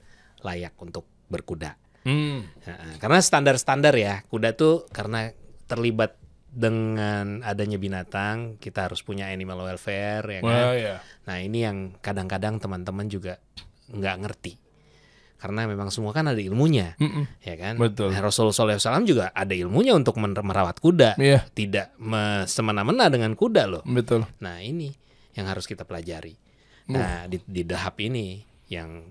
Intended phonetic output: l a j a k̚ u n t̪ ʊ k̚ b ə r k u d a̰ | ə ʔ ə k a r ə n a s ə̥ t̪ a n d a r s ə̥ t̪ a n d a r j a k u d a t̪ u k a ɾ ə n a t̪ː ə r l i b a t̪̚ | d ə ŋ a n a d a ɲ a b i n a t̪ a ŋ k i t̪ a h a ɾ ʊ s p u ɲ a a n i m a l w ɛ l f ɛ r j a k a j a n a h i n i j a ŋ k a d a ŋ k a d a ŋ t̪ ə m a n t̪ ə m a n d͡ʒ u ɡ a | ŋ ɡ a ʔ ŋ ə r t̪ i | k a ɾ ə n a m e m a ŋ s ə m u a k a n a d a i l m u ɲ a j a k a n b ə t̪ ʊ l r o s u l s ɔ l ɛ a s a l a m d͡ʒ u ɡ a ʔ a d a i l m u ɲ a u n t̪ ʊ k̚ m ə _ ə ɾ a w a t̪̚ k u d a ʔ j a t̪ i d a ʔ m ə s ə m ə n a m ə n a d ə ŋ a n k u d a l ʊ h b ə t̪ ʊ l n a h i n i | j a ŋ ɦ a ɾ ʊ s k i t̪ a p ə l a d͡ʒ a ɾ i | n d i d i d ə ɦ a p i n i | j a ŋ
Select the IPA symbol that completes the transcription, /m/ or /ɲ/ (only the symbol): m